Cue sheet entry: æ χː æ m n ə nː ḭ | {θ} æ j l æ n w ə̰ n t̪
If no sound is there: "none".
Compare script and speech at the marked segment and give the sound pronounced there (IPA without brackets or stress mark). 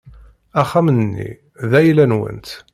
ð